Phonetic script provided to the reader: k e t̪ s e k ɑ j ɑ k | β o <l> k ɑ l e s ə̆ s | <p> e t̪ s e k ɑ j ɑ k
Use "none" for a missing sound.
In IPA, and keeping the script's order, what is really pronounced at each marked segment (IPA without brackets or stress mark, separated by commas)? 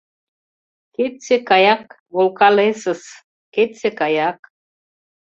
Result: l, k